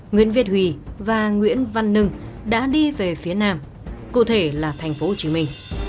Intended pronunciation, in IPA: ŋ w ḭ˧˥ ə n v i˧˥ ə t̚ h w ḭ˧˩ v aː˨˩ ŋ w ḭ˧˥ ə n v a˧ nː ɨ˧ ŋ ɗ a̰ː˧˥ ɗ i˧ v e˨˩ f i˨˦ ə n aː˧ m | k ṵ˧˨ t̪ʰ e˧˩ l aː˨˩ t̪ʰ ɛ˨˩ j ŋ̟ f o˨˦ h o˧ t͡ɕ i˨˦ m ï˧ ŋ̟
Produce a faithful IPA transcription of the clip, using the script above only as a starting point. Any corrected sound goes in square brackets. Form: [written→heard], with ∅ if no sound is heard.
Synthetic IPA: ŋ w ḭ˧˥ ə n v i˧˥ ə t̚ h w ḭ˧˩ v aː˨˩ ŋ w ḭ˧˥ ə n v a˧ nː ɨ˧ ŋ ɗ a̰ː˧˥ ɗ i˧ v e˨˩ f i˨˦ ə n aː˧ m | k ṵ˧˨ t̪ʰ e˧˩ l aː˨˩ t̪ʰ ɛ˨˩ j ŋ̟ f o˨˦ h [o˧→o˨˩] t͡ɕ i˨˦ m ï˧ ŋ̟

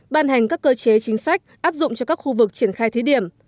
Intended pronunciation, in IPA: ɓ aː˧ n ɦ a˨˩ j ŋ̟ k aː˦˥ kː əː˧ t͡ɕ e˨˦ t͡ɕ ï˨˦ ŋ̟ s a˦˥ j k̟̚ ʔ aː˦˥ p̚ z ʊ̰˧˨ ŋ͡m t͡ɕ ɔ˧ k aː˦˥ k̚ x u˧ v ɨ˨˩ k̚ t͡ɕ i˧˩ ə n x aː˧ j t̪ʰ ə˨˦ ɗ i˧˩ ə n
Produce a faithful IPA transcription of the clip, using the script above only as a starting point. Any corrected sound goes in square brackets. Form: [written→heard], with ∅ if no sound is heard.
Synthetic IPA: ɓ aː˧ n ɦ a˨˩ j ŋ̟ k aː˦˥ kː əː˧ t͡ɕ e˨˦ t͡ɕ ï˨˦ ŋ̟ s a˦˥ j k̟̚ ʔ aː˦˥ p̚ z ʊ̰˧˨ ŋ͡m t͡ɕ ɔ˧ k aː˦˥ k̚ x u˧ v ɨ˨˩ k̚ t͡ɕ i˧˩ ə n x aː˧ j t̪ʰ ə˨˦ ɗ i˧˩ ə [n→m]

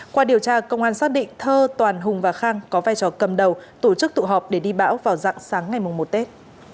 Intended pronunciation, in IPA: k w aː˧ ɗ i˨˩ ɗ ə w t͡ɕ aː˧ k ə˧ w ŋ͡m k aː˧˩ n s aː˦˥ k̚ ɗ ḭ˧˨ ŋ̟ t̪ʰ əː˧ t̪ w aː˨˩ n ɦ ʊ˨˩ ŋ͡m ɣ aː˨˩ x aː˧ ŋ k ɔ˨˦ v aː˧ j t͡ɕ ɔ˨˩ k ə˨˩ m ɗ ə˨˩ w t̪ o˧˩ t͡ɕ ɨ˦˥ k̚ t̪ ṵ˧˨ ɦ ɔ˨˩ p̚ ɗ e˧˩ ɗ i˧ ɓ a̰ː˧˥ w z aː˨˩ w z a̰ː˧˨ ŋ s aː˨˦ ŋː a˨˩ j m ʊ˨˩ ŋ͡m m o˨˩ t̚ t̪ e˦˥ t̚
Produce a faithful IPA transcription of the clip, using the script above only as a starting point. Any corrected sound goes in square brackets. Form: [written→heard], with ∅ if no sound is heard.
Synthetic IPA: k w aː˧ ɗ i˨˩ [ɗ→∅] ə w t͡ɕ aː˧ k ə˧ w ŋ͡m [k→ʔ] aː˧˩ n s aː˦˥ k̚ ɗ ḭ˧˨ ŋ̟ t̪ʰ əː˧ t̪ w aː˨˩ n ɦ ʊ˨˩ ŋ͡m [ɣ→v] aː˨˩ x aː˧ ŋ k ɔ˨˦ v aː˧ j t͡ɕ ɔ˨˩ k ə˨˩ m ɗ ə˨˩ w t̪ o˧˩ t͡ɕ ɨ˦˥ k̚ t̪ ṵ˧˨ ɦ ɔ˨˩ p̚ ɗ e˧˩ ɗ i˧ ɓ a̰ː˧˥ w [z→v] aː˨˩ w z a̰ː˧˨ ŋ s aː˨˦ ŋː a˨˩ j m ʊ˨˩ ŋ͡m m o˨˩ t̚ t̪ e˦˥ t̚

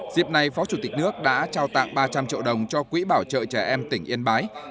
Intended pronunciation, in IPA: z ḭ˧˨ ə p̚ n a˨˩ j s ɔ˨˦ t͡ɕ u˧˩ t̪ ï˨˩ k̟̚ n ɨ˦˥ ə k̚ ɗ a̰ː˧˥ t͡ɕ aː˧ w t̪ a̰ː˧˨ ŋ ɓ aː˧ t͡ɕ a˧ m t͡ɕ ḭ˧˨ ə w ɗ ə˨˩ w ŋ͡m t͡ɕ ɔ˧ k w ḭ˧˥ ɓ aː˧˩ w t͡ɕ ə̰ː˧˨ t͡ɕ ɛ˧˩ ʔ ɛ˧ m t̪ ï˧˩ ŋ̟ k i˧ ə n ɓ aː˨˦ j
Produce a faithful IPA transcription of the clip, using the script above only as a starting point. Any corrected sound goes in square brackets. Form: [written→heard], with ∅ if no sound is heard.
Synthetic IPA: z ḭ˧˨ ə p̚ n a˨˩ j [s→f] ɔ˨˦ t͡ɕ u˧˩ t̪ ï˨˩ k̟̚ n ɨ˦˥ ə k̚ ɗ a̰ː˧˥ t͡ɕ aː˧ w t̪ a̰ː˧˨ ŋ ɓ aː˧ t͡ɕ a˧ m t͡ɕ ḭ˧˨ ə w ɗ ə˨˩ w ŋ͡m t͡ɕ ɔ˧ k w ḭ˧˥ ɓ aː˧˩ w t͡ɕ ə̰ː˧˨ t͡ɕ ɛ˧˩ ʔ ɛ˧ m t̪ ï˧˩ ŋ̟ [k→ʔ] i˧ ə n ɓ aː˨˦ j

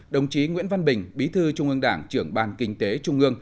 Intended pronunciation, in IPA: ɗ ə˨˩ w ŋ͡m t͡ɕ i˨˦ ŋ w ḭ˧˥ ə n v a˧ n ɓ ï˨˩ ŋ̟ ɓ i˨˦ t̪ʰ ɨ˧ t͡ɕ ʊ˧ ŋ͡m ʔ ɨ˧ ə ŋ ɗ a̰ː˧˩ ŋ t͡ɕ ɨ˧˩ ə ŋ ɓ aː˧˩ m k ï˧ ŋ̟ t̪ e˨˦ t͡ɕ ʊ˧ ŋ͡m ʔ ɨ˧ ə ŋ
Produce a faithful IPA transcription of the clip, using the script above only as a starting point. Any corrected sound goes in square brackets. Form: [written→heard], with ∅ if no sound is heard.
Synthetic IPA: ɗ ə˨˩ w ŋ͡m t͡ɕ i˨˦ ŋ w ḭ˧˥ ə n v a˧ n ɓ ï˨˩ ŋ̟ ɓ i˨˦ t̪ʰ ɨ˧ t͡ɕ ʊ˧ ŋ͡m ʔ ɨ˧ ə ŋ ɗ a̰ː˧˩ ŋ t͡ɕ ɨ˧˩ ə ŋ ɓ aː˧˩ [m→n] k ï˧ ŋ̟ t̪ e˨˦ t͡ɕ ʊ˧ ŋ͡m ʔ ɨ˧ ə ŋ

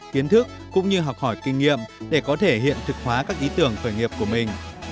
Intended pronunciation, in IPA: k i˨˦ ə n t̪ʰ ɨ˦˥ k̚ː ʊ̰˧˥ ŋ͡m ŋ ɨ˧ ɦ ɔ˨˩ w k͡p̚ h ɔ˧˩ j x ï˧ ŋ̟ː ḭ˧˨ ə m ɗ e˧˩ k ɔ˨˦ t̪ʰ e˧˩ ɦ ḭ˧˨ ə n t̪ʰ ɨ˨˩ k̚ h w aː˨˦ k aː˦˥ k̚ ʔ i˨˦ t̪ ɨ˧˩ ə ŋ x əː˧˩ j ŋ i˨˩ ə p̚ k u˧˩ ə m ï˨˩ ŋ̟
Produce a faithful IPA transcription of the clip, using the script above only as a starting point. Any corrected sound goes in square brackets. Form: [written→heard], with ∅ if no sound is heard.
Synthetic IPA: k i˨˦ ə n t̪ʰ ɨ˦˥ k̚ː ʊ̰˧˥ ŋ͡m [ŋ→ɲ] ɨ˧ ɦ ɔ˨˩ w k͡p̚ h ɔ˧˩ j [x→k] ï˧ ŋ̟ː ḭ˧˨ ə m ɗ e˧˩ k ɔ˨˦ t̪ʰ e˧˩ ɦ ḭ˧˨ ə n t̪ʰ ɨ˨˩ k̚ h w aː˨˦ k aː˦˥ k̚ ʔ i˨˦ t̪ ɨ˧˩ ə ŋ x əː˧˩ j ŋ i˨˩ ə p̚ k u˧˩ ə m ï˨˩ ŋ̟

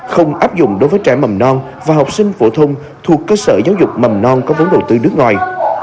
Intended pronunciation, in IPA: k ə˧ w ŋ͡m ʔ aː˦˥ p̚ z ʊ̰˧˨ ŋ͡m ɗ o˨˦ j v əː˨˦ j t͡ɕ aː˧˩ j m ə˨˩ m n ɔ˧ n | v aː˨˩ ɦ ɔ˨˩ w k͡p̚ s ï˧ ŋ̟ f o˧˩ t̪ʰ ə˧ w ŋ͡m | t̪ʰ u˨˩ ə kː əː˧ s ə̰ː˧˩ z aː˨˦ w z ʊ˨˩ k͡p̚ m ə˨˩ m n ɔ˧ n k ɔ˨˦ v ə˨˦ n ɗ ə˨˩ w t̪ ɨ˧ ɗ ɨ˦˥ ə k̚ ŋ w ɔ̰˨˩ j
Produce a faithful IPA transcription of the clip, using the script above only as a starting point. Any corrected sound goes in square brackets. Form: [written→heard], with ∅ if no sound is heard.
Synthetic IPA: [k→x] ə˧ w ŋ͡m ʔ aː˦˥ p̚ z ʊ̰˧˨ ŋ͡m ɗ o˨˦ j v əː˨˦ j t͡ɕ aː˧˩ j m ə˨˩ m n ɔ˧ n | v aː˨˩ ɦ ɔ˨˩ w k͡p̚ s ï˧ ŋ̟ f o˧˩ t̪ʰ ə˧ w ŋ͡m | t̪ʰ u˨˩ ə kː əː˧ s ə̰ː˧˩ z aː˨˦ w z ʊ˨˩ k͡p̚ m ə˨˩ m n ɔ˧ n k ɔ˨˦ v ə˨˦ n ɗ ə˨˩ w t̪ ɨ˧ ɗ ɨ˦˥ ə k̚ ŋ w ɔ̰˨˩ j

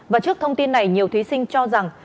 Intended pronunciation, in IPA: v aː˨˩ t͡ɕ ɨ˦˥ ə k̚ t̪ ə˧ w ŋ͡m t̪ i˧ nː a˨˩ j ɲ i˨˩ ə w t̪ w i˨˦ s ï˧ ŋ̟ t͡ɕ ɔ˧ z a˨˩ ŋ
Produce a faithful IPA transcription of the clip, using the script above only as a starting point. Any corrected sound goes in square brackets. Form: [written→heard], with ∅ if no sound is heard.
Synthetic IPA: v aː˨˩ t͡ɕ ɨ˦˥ ə k̚ [t̪→t̪ʰ] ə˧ w ŋ͡m t̪ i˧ nː a˨˩ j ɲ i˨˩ ə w t̪ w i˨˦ s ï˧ ŋ̟ t͡ɕ ɔ˧ z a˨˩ ŋ

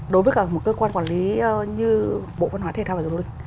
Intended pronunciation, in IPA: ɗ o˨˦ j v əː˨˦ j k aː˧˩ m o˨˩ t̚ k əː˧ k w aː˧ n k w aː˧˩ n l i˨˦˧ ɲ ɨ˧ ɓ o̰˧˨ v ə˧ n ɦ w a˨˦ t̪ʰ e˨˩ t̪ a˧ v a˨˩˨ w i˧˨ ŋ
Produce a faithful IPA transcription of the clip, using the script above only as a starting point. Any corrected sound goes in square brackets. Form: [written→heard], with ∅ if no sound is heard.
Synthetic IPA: ɗ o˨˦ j v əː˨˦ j k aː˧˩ m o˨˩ t̚ k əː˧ k w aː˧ n k w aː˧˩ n l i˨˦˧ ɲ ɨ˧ ɓ o̰˧˨ v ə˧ n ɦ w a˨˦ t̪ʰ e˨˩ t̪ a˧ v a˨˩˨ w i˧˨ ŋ

